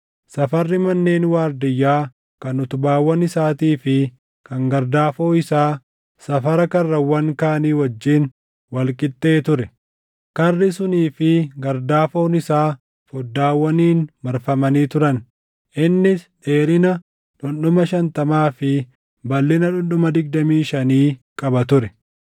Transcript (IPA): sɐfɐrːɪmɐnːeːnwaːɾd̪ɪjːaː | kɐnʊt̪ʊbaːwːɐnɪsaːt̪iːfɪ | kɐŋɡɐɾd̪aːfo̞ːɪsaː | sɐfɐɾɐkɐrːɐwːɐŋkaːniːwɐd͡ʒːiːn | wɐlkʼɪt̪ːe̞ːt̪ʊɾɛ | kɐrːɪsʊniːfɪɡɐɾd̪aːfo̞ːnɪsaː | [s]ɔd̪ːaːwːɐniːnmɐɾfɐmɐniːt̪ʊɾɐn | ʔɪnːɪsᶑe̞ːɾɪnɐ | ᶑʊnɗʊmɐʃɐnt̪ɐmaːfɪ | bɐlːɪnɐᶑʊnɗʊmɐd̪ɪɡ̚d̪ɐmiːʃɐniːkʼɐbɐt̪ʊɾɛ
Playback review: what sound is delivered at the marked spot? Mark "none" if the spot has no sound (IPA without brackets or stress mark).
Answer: f